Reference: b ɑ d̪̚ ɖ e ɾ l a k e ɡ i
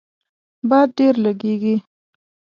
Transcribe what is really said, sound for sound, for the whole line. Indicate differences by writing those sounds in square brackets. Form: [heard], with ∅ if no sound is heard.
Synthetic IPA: b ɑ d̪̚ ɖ e ɾ l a [ɡ] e ɡ i